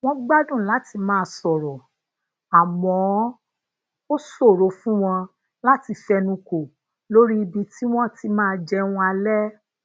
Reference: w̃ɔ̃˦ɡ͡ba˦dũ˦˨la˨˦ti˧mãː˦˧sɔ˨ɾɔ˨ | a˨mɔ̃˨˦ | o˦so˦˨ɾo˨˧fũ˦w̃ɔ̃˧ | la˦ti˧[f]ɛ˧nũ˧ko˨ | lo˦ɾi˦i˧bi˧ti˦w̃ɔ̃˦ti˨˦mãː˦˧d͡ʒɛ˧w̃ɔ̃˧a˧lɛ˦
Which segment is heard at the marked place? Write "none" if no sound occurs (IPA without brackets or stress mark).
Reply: f